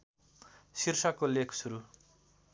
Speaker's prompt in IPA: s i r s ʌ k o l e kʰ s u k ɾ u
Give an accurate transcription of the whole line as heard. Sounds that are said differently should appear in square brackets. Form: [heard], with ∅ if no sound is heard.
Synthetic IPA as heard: s i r s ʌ k o l e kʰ s u [∅] ɾ u